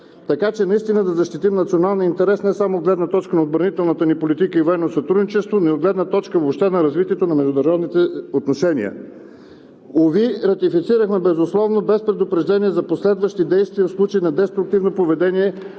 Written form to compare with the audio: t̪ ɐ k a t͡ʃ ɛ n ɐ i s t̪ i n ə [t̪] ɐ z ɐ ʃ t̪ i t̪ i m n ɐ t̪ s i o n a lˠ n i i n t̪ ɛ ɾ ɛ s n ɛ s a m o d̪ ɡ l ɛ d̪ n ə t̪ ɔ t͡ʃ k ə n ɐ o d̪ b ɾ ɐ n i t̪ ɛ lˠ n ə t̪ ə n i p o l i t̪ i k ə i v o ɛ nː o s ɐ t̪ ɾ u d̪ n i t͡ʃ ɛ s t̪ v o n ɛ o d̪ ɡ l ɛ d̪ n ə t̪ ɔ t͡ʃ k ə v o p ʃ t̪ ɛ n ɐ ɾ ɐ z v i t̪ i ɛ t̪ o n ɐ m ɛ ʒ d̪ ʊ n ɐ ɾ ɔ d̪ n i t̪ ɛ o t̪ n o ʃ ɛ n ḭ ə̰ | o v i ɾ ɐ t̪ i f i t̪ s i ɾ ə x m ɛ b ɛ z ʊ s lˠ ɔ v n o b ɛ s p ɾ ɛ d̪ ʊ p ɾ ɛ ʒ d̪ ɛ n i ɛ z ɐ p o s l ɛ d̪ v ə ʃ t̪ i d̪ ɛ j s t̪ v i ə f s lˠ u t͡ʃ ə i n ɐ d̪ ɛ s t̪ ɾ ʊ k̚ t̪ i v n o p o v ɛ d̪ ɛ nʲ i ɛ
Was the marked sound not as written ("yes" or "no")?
yes